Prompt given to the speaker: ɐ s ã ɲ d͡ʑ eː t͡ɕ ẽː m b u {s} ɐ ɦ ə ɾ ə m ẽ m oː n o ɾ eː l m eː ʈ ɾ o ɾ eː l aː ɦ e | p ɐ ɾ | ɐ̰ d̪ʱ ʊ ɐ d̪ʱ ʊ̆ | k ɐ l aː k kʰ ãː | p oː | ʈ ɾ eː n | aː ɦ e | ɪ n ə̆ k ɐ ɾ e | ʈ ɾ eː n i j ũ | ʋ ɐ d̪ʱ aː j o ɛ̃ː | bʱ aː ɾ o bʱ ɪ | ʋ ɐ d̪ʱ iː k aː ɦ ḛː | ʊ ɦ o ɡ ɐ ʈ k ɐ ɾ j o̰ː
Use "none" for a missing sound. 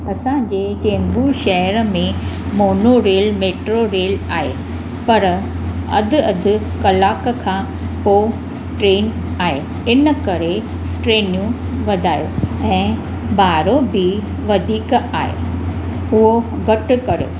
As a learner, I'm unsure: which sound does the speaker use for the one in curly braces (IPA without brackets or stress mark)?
ʃ